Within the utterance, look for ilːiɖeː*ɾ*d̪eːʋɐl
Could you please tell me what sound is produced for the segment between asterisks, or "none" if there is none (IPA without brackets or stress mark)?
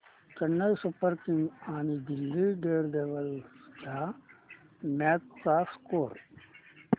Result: ɾ